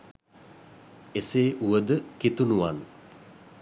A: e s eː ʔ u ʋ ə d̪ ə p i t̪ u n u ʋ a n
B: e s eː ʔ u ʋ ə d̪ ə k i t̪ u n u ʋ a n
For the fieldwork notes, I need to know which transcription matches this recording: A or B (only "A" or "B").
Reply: B